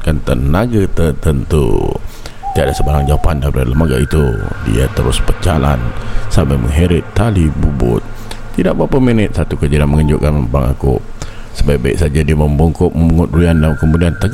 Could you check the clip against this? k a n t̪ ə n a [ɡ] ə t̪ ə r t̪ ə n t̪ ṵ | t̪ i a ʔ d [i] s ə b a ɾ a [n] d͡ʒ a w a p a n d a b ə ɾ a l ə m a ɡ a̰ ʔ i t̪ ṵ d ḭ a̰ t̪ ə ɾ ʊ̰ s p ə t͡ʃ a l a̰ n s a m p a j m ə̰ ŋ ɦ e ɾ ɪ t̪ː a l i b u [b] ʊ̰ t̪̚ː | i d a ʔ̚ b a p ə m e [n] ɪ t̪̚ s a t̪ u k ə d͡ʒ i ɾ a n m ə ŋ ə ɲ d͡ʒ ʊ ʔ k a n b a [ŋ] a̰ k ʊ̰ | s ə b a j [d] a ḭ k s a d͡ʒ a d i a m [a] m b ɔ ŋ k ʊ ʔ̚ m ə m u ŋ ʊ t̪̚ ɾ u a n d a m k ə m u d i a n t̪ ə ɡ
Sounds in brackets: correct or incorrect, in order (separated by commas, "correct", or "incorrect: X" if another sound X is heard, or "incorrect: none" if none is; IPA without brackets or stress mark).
correct, incorrect: a, incorrect: ŋ, correct, correct, correct, incorrect: b, incorrect: ə